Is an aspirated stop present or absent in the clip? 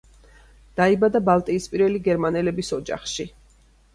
absent